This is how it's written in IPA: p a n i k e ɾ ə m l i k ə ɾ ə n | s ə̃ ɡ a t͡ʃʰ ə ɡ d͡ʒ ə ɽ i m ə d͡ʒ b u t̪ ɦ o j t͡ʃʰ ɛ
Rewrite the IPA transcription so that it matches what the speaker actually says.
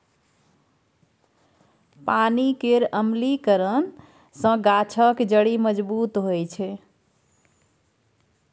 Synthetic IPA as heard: p a n i k e ɾ ə m l i k ə ɾ ə n | s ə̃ ɡ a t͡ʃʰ ə k d͡ʒ ə ɽ i m ə d͡ʒ b u t̪ ɦ o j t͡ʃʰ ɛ